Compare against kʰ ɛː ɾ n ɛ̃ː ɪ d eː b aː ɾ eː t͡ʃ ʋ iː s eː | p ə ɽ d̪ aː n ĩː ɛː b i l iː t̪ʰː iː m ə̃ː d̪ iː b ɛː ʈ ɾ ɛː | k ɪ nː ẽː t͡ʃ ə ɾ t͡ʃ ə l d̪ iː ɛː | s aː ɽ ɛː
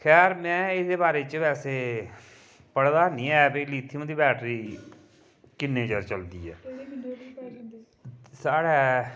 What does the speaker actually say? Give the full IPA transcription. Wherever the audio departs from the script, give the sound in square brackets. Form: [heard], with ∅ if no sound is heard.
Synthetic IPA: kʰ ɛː ɾ [m] ɛ̃ː ɪ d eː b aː ɾ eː t͡ʃ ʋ [ɛː] s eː | p ə ɽ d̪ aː n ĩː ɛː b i l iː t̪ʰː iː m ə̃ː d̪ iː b ɛː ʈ ɾ [iː] | k ɪ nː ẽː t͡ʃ ə ɾ t͡ʃ ə l d̪ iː ɛː | s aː ɽ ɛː